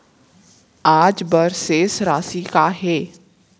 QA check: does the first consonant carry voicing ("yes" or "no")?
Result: yes